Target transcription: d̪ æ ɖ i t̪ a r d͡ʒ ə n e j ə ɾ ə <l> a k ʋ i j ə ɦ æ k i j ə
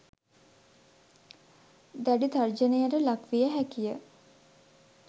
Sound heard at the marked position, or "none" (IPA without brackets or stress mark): l